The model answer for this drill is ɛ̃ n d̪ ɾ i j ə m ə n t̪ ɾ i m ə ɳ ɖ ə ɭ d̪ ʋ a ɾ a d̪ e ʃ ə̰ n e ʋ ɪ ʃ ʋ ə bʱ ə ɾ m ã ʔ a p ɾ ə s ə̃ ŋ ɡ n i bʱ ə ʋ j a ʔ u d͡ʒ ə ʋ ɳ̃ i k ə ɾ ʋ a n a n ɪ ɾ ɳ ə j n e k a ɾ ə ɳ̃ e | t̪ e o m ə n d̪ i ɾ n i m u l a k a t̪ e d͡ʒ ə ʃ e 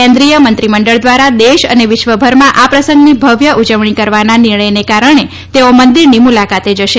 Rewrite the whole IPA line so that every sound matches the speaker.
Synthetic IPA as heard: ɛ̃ n d̪ ɾ i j ə m ə n t̪ ɾ i m ə ɳ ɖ ə ɭ d̪ ʋ a ɾ a d̪ e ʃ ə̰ n e ʋ ɪ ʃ ʋ ə bʱ ə ɾ m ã ʔ a p ɾ ə s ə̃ ŋ ɡ n i bʱ ə ʋ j ə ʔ u d͡ʒ ə ʋ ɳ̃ i k ə ɾ ʋ a n a n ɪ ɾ ɳ ə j n e k a ɾ ə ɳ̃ e | t̪ e o m ə n d̪ i ɾ n i m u l a k a t̪ e d͡ʒ ə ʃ e